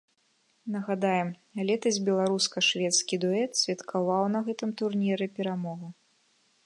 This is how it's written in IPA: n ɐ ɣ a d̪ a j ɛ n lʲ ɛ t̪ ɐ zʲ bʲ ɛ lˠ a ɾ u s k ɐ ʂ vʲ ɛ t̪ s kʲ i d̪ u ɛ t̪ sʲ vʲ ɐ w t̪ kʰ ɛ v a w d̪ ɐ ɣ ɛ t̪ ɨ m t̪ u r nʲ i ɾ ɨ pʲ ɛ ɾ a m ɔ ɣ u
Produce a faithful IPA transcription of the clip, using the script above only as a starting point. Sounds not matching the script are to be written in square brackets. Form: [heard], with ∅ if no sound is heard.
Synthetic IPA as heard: n ɐ ɣ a d̪ a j ɛ [m] lʲ ɛ t̪ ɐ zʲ bʲ ɛ lˠ a ɾ u s k ɐ ʂ vʲ ɛ t̪ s kʲ i d̪ u ɛ t̪ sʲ vʲ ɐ [∅] t̪ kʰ [a] v a w [n̪] ɐ ɣ ɛ t̪ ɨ m t̪ u r nʲ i ɾ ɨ pʲ ɛ ɾ a m ɔ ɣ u